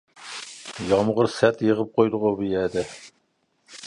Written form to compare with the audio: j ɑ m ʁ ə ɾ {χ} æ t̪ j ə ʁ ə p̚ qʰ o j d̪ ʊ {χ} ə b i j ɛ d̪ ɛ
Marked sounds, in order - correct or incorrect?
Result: incorrect: s, incorrect: ʁ

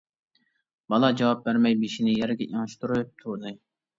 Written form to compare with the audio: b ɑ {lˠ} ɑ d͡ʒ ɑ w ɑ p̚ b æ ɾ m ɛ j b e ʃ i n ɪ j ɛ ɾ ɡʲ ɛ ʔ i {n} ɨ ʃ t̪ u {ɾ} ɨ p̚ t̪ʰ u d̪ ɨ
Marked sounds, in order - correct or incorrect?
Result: correct, incorrect: ŋ, correct

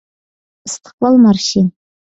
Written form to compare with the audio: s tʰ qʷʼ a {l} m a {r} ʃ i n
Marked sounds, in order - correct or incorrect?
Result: correct, correct

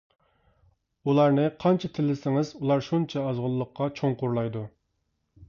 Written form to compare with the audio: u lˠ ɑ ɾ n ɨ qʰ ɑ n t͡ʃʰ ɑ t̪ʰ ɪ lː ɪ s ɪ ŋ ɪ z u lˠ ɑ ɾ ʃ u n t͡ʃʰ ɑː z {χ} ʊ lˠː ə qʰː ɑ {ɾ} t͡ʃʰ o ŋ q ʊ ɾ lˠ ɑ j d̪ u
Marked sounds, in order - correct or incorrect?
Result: incorrect: ʁ, incorrect: none

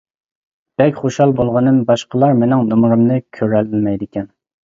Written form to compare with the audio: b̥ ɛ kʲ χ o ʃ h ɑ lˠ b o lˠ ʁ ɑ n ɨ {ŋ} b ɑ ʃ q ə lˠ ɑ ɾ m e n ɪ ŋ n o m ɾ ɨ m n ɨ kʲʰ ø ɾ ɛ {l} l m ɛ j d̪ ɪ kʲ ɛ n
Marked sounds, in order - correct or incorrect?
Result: incorrect: m, correct

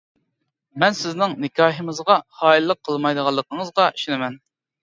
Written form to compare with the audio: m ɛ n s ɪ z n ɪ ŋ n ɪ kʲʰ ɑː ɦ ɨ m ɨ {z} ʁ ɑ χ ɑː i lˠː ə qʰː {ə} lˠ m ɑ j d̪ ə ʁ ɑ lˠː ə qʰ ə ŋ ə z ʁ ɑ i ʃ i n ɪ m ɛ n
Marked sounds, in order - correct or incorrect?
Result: correct, correct

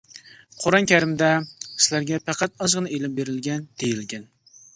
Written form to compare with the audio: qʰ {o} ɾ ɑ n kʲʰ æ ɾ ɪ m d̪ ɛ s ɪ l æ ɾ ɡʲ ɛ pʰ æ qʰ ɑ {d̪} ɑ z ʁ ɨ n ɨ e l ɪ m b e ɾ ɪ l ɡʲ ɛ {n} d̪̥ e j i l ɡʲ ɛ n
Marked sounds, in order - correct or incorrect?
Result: correct, incorrect: t̪, correct

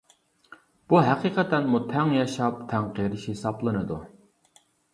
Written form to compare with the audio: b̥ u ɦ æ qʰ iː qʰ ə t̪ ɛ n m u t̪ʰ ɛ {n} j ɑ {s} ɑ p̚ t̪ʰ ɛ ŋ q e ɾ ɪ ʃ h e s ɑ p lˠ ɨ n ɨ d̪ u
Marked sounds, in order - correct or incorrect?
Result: incorrect: ŋ, incorrect: ʃ

